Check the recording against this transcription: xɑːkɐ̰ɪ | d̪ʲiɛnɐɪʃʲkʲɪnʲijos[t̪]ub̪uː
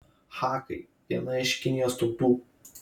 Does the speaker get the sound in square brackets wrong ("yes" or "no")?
no